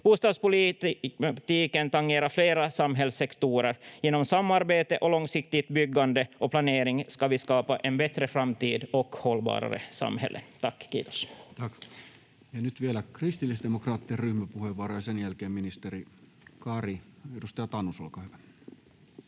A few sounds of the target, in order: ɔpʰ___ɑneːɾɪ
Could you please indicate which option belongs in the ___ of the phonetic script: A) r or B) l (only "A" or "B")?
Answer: B